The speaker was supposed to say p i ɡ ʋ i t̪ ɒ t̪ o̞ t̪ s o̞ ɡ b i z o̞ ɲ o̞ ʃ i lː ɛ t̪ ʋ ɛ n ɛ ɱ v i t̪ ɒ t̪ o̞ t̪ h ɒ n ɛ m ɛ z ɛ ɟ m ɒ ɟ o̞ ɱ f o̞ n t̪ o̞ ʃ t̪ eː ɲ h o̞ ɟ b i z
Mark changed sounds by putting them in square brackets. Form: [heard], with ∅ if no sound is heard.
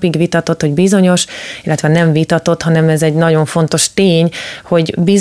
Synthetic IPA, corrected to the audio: p i ɡ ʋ i t̪ ɒ t̪ o̞ t̪ [h] o̞ [ɟ] b i z o̞ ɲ o̞ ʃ i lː ɛ t̪ ʋ ɛ n ɛ ɱ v i t̪ ɒ t̪ o̞ t̪ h ɒ n ɛ m ɛ z ɛ ɟ [n] ɒ ɟ o̞ ɱ f o̞ n t̪ o̞ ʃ t̪ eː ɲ h o̞ ɟ b i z